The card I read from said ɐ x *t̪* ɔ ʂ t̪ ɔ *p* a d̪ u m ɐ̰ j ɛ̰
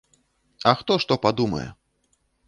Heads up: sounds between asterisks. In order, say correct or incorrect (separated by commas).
correct, correct